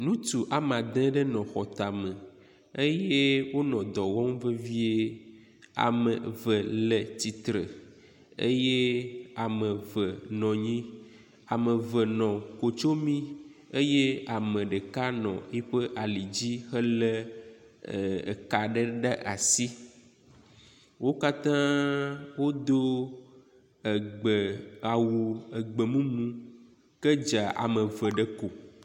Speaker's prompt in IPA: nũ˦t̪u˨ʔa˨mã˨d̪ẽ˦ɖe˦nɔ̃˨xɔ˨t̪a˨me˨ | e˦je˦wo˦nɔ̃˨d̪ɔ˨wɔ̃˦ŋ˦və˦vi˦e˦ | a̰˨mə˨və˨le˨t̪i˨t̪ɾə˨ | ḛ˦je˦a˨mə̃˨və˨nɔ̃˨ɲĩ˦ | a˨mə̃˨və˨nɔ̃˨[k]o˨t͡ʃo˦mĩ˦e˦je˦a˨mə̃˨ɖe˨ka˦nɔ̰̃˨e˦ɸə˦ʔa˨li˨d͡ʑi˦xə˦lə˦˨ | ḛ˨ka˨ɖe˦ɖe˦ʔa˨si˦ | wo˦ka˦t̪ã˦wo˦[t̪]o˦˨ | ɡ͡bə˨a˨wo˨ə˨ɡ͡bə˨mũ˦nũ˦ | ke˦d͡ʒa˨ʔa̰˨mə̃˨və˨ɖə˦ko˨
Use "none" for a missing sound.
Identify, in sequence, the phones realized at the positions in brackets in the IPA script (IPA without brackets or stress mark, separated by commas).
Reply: k, d̪